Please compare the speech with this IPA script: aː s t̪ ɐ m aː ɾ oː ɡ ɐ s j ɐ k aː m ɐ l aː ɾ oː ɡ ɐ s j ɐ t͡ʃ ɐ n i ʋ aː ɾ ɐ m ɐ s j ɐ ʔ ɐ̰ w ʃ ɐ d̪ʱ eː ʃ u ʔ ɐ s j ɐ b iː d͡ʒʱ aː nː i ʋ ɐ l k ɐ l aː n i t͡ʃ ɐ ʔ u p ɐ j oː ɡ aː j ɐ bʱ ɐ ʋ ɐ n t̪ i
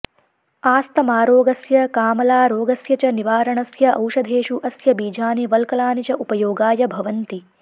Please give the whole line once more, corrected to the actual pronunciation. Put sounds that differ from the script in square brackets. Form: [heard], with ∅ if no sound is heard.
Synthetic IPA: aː s t̪ ɐ m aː ɾ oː ɡ ɐ s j ɐ k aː m ɐ l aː ɾ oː ɡ ɐ s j ɐ t͡ʃ ɐ n i ʋ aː ɾ ɐ [ɳ] ɐ s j ɐ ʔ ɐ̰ w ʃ ɐ d̪ʱ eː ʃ u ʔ ɐ s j ɐ b iː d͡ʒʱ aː [n] i ʋ ɐ l k ɐ l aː n i t͡ʃ ɐ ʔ u p ɐ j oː ɡ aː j ɐ bʱ ɐ ʋ ɐ n t̪ i

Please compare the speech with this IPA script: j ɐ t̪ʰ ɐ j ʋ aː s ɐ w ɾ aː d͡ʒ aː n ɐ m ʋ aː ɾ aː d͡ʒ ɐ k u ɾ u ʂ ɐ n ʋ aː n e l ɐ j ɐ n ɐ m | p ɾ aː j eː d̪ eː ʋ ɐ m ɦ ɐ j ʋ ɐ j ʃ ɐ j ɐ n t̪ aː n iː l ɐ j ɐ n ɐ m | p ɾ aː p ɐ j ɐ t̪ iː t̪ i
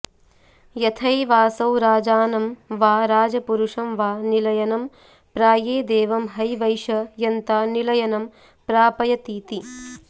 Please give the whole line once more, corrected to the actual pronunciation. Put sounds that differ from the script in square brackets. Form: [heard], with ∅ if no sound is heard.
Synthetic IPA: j ɐ t̪ʰ ɐ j ʋ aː s ɐ w ɾ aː d͡ʒ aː n ɐ m ʋ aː ɾ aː d͡ʒ ɐ [p] u ɾ u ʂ ɐ [m] ʋ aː n [i] l ɐ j ɐ n ɐ m | p ɾ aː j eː d̪ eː ʋ ɐ m ɦ ɐ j ʋ ɐ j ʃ ɐ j ɐ n t̪ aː n [i] l ɐ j ɐ n ɐ m | p ɾ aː p ɐ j ɐ t̪ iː t̪ i

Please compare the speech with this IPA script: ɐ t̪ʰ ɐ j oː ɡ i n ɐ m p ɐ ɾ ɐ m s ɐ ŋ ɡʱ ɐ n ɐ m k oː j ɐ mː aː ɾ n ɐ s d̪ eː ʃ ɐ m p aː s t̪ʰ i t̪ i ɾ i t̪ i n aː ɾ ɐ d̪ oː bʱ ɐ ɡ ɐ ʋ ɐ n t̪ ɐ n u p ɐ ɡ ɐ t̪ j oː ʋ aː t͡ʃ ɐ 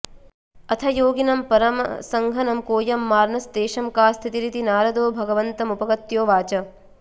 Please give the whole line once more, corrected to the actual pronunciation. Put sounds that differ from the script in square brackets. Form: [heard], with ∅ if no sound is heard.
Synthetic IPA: ɐ t̪ʰ ɐ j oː ɡ i n ɐ m p ɐ ɾ ɐ m s ɐ ŋ ɡʱ ɐ n ɐ m k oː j ɐ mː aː ɾ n ɐ s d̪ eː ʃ ɐ m [k] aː s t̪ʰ i t̪ i ɾ i t̪ i n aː ɾ ɐ d̪ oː bʱ ɐ ɡ ɐ ʋ ɐ n t̪ ɐ [m] u p ɐ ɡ ɐ t̪ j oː ʋ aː t͡ʃ ɐ

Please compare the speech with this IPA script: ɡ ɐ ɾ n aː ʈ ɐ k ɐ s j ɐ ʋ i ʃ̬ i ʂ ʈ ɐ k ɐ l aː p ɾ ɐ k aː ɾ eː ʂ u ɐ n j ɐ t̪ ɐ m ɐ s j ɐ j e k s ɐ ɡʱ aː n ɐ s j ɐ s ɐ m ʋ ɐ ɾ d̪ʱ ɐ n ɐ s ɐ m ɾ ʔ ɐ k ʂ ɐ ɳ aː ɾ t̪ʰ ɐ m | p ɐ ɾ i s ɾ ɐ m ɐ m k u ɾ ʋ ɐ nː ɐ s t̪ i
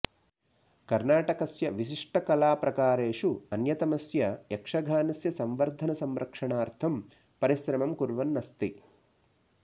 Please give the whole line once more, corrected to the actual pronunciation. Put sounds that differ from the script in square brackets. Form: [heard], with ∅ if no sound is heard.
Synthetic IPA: [k] ɐ ɾ n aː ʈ ɐ k ɐ s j ɐ ʋ i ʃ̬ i ʂ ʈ ɐ k ɐ l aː p ɾ ɐ k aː ɾ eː ʂ u ɐ n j ɐ t̪ ɐ m ɐ s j ɐ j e k [ʂ] ɐ ɡʱ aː n ɐ s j ɐ s ɐ m ʋ ɐ ɾ d̪ʱ ɐ n ɐ s ɐ m ɾ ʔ ɐ k ʂ ɐ ɳ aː ɾ t̪ʰ ɐ m | p ɐ ɾ i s ɾ ɐ m ɐ m k u ɾ ʋ ɐ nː ɐ s t̪ i

